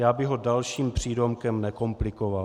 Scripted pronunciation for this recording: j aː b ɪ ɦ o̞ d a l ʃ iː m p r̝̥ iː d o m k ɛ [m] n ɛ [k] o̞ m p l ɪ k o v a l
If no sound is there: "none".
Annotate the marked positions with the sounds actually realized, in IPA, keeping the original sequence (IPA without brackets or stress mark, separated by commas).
m, k